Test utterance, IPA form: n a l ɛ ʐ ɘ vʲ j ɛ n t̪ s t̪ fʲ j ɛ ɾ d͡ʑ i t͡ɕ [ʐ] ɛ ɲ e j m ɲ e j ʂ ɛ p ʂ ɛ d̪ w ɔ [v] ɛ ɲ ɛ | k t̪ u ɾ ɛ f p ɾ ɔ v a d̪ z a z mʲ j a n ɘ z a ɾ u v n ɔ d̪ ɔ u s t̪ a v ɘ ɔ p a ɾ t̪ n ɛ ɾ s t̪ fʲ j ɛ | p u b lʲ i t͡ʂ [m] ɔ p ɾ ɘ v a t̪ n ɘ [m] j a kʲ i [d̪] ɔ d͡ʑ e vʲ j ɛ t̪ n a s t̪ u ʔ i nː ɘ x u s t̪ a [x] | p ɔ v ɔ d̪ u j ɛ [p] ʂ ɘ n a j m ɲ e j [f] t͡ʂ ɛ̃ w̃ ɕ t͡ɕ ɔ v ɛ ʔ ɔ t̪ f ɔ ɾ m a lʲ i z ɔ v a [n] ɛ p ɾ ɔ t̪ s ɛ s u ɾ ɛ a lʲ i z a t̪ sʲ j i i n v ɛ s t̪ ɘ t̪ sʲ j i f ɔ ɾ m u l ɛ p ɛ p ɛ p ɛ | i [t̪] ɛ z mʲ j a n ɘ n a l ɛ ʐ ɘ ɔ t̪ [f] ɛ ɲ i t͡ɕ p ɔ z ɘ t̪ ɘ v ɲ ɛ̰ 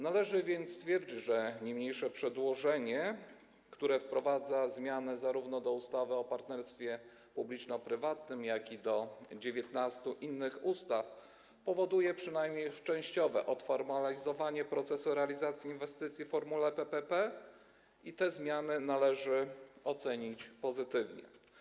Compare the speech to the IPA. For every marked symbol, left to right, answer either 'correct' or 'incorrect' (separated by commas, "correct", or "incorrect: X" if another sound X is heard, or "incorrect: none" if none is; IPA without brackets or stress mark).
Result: correct, incorrect: ʐ, incorrect: n, correct, correct, incorrect: f, correct, incorrect: ʂ, incorrect: ɲ, correct, incorrect: s